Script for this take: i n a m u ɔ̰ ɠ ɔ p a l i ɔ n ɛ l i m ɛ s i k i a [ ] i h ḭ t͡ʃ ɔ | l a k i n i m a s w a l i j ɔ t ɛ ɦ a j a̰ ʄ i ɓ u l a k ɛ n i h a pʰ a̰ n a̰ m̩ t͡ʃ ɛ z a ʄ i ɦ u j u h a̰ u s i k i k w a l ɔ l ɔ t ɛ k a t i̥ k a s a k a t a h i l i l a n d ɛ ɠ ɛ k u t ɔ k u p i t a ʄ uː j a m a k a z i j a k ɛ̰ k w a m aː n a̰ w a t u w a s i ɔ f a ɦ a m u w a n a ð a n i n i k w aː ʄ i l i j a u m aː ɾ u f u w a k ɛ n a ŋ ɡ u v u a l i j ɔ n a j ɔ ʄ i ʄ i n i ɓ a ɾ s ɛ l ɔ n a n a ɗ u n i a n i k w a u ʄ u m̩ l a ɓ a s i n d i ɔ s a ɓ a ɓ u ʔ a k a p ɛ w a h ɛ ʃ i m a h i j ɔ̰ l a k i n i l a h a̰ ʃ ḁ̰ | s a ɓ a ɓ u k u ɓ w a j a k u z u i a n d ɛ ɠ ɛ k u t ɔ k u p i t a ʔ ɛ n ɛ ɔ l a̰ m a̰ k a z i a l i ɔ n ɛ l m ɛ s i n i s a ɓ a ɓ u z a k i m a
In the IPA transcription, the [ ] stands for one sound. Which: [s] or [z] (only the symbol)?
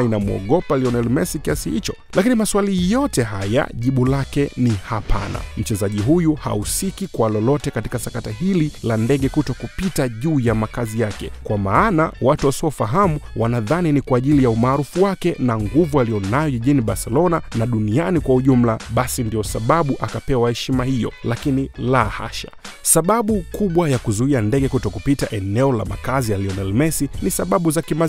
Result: s